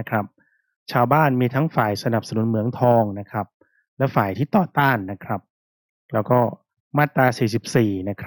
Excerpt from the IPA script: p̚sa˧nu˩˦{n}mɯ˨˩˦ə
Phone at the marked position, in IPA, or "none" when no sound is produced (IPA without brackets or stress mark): n